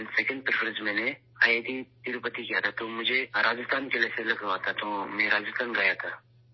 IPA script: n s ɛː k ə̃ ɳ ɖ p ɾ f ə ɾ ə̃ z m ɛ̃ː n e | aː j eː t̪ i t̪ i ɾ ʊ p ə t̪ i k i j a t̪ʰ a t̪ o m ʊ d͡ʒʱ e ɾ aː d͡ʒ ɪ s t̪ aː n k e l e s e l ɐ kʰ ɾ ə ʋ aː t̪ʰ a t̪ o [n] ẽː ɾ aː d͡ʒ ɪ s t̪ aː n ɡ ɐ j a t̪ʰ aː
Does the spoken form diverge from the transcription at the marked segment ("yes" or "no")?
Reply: yes